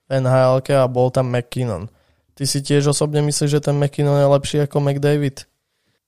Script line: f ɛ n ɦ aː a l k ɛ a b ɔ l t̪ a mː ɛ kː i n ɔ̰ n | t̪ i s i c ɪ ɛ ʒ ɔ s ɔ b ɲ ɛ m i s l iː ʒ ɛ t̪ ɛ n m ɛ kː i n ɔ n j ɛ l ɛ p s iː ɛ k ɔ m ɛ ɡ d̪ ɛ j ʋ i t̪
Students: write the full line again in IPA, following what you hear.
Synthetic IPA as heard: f ɛ n ɦ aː ɛ l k ɛ a b ɔ l t̪ a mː ɛ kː i n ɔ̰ n | t̪ i s i c ɪ ɛ ʒ ɔ s ɔ b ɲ ɛ m i s l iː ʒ ɛ t̪ ɛ n m ɛ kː i n ɔ n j ɛ l ɛ p ʃ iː a k ɔ m ɛ ɡ d̪ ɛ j ʋ i t̪